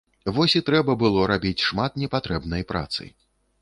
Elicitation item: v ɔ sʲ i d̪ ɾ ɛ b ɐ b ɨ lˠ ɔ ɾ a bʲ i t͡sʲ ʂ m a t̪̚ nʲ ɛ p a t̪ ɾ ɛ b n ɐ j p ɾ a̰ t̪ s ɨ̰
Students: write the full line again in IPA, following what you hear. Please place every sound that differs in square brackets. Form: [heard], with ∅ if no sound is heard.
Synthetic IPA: v ɔ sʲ i [t̪] ɾ ɛ b ɐ b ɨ lˠ ɔ ɾ a bʲ i t͡sʲ ʂ m a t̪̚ nʲ ɛ p a t̪ ɾ ɛ b n ɐ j p ɾ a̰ t̪ s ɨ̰